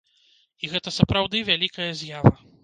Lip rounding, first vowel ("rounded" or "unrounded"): unrounded